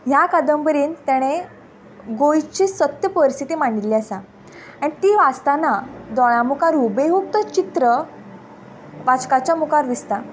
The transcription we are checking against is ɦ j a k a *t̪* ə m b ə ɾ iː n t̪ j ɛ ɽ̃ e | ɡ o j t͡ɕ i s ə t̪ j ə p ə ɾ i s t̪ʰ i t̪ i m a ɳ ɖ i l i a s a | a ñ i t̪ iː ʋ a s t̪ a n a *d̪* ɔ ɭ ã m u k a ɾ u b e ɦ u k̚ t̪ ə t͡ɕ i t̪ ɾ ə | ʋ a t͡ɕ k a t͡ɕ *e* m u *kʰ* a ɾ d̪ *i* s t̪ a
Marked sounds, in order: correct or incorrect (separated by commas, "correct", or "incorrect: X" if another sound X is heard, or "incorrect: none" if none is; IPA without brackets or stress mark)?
incorrect: d̪, correct, incorrect: a, incorrect: k, correct